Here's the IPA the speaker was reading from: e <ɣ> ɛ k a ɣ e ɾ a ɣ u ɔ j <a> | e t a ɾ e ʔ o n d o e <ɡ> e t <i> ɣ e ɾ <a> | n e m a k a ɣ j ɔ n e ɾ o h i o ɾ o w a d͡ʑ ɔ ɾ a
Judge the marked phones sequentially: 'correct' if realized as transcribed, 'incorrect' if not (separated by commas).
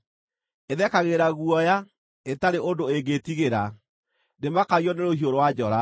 incorrect, correct, correct, correct, correct